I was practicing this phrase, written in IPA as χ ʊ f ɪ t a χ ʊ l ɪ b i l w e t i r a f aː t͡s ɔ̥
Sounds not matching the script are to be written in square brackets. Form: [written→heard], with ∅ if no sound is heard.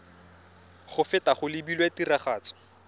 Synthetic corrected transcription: χ ʊ f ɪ t a χ ʊ l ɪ b i l w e t i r a [f→χ] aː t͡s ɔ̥